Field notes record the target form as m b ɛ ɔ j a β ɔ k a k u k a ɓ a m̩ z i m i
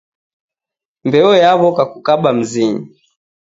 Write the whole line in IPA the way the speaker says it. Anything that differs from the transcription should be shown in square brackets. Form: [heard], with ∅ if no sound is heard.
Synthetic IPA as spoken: m b ɛ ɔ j a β ɔ k a k u k a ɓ a m̩ z i [ɲ] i

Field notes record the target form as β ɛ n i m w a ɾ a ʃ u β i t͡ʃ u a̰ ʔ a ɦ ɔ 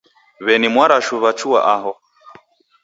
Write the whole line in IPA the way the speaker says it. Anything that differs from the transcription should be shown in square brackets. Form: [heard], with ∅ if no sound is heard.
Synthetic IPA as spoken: β ɛ n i m w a ɾ a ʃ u β [a] t͡ʃ u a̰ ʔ a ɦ ɔ

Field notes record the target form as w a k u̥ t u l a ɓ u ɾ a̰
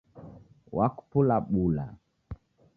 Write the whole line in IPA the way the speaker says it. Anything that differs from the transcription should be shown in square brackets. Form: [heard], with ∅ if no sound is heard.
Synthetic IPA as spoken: w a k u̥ [p] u l a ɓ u [l] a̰

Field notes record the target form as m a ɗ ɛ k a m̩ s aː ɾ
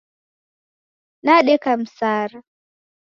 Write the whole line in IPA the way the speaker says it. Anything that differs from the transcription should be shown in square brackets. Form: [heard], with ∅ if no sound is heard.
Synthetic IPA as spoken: [n] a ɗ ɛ k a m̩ s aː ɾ

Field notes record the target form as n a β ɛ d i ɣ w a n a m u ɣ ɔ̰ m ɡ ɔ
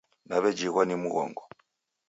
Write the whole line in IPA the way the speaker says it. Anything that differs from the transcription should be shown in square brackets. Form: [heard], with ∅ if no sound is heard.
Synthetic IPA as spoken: n a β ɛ [d͡ʒ] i ɣ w a n [i] m u ɣ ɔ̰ [ŋ] ɡ ɔ

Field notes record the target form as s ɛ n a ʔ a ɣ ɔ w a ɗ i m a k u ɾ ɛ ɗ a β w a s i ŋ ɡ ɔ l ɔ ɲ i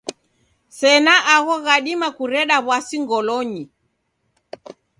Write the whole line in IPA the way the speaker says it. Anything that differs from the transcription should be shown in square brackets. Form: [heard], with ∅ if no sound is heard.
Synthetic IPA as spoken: s ɛ n a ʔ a ɣ ɔ [ɣ] a ɗ i m a k u ɾ ɛ ɗ a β w a s i ŋ ɡ ɔ l ɔ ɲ i

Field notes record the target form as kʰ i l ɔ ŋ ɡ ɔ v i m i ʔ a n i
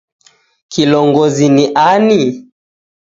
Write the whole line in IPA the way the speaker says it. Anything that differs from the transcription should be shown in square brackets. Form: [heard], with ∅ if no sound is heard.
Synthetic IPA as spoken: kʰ i l ɔ ŋ ɡ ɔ [z] i [n] i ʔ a n i

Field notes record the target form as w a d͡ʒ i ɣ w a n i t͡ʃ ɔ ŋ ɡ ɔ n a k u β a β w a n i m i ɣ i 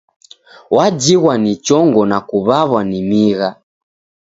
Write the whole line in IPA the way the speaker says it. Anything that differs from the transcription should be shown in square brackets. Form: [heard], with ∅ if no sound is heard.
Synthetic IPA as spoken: w a d͡ʒ i ɣ w a n i t͡ʃ ɔ ŋ ɡ ɔ n a k u β a β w a n i m i ɣ [a]

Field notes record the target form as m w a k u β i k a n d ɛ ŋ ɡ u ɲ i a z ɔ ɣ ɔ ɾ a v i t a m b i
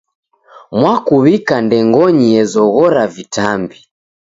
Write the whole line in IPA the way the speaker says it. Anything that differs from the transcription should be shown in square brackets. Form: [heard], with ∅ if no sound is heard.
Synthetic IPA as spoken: m w a k u β i k a n d ɛ ŋ ɡ [ɔ] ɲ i [ɛ] z ɔ ɣ ɔ ɾ a v i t a m b i

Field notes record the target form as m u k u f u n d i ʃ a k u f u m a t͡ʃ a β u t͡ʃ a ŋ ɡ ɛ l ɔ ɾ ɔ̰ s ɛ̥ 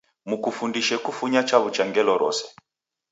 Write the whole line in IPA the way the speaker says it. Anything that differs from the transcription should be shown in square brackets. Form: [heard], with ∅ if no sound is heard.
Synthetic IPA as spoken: m u k u f u n d i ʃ [ɛ] k u f u [ɲ] a t͡ʃ a β u t͡ʃ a ŋ ɡ ɛ l ɔ ɾ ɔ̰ s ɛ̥

